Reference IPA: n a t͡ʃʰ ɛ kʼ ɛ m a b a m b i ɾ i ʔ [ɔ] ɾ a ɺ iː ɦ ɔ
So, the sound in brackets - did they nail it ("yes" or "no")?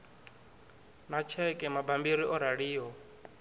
yes